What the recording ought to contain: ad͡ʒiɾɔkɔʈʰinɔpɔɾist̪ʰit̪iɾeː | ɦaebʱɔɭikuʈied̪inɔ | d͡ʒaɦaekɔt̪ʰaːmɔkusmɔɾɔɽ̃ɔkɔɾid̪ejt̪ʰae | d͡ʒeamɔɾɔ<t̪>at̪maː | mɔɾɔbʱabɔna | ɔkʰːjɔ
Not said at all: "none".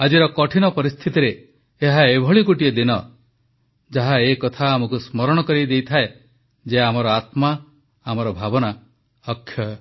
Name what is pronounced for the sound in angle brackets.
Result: none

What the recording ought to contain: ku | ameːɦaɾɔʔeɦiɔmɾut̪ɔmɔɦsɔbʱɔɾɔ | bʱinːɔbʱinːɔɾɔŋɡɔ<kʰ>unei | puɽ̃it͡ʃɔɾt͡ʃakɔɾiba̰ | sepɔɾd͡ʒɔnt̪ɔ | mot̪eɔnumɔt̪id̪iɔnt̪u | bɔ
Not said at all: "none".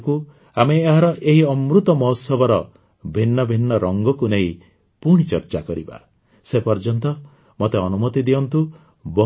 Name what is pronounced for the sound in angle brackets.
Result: k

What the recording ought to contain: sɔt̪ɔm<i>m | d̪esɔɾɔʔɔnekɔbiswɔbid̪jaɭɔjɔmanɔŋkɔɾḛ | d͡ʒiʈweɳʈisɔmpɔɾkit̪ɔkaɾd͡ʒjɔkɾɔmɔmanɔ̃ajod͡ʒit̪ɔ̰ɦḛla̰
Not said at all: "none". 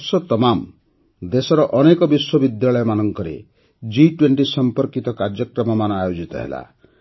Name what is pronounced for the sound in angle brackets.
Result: a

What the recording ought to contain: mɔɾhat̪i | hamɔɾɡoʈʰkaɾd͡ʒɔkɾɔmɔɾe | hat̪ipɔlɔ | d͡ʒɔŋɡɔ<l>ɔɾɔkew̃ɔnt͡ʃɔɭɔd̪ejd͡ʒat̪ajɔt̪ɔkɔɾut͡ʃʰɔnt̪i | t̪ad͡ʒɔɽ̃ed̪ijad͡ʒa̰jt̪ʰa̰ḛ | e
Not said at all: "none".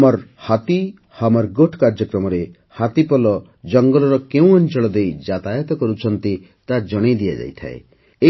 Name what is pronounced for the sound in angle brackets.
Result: l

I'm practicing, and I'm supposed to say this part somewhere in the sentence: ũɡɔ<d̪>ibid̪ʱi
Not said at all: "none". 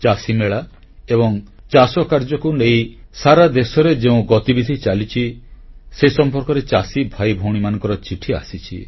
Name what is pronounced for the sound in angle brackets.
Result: t̪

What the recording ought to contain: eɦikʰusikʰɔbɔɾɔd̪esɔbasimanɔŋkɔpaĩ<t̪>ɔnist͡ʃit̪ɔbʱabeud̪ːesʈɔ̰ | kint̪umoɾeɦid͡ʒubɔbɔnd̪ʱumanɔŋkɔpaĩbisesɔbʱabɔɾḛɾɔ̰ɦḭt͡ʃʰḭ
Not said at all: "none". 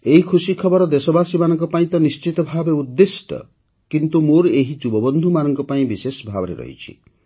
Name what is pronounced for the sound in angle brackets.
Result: t̪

